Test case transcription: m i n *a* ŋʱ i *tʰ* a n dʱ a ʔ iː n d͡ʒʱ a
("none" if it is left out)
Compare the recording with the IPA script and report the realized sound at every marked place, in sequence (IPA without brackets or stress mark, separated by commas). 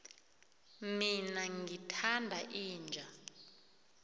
a, tʰ